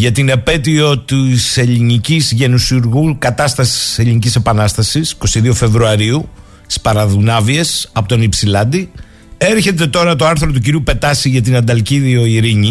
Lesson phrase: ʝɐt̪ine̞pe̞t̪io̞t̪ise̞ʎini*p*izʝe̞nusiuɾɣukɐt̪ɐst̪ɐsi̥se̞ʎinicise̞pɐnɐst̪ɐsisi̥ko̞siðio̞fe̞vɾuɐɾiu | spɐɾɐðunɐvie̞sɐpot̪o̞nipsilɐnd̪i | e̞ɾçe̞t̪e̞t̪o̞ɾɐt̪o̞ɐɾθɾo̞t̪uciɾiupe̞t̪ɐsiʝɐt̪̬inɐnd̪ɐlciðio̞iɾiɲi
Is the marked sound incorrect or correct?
incorrect